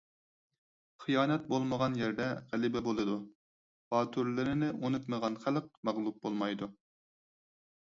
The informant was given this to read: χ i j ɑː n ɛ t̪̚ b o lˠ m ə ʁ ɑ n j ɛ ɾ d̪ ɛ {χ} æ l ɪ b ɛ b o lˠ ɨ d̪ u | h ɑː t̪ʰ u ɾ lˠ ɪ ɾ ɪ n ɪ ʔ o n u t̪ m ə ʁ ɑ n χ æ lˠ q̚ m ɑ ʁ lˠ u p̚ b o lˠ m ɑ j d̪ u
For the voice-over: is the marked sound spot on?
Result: no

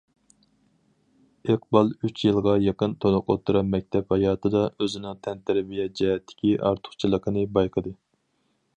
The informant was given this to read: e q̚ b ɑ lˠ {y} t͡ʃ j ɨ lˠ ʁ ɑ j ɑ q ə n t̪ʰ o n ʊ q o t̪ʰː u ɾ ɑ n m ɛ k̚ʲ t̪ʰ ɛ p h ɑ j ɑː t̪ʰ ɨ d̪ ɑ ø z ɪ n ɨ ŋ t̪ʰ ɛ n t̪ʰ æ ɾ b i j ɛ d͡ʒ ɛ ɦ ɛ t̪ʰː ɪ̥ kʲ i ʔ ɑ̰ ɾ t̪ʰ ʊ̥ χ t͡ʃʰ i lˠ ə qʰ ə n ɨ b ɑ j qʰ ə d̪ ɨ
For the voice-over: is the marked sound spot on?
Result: yes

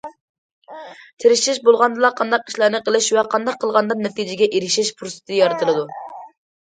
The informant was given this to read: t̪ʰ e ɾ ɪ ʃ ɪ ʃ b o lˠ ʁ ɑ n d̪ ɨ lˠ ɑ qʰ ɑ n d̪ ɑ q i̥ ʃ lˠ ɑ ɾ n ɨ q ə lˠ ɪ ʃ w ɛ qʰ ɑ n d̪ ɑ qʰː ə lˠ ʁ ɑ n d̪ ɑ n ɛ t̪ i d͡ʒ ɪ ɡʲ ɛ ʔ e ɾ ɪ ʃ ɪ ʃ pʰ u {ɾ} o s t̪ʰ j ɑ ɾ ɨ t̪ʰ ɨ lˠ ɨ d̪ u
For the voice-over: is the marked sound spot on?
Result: yes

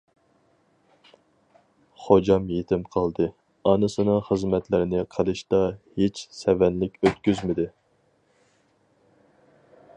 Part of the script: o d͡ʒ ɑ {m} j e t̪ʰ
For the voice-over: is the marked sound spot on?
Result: yes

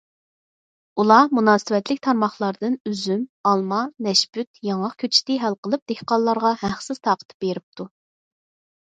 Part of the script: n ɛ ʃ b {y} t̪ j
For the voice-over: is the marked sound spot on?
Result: yes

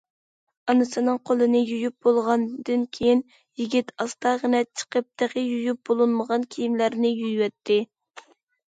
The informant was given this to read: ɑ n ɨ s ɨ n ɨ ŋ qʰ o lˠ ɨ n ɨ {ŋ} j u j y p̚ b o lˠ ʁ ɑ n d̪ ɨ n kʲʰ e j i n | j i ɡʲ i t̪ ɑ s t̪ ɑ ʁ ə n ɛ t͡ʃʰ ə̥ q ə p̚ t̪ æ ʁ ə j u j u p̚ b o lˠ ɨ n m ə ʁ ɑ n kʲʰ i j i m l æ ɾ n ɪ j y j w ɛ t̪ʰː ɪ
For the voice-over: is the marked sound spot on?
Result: no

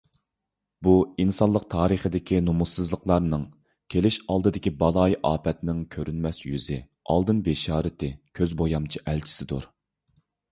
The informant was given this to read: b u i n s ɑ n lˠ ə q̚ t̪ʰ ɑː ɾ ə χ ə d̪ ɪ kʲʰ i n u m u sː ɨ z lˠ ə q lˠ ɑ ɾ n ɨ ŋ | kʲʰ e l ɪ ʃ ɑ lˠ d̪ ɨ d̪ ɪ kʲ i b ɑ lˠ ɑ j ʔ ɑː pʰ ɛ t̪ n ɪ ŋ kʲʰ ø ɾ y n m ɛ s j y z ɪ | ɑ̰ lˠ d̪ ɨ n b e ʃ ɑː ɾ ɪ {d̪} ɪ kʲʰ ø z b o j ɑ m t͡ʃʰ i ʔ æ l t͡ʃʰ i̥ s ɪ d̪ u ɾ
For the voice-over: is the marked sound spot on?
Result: no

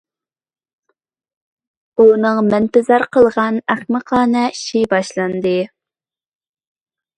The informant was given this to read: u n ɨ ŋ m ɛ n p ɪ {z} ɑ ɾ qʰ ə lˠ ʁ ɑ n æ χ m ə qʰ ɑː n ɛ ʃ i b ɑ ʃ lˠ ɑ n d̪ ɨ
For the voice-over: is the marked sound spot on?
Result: yes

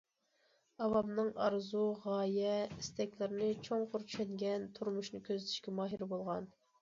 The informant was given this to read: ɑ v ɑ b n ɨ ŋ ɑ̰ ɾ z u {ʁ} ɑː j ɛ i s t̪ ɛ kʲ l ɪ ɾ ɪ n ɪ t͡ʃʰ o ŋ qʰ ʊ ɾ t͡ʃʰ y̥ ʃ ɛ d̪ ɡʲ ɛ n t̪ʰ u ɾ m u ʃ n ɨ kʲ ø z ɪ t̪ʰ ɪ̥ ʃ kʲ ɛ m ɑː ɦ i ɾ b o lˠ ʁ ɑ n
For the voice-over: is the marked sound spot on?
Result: yes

